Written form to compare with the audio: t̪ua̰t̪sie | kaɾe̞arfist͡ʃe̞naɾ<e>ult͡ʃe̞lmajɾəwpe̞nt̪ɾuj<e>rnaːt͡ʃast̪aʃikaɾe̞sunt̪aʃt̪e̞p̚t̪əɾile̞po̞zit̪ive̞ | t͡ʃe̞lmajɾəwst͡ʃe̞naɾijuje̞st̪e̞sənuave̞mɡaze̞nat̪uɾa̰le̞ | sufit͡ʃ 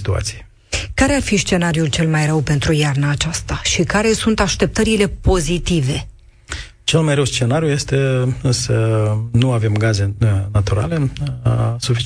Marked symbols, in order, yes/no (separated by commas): no, no